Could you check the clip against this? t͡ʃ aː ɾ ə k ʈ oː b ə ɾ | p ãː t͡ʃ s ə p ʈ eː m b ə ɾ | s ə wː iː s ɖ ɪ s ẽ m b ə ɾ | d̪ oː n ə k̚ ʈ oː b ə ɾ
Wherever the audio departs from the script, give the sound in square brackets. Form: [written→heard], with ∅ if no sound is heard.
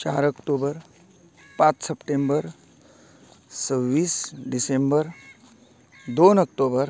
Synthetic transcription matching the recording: t͡ʃ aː ɾ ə k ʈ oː b ə ɾ | p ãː t͡ʃ s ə p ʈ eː m b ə ɾ | s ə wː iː s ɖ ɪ s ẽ m b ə ɾ | d̪ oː n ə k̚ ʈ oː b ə ɾ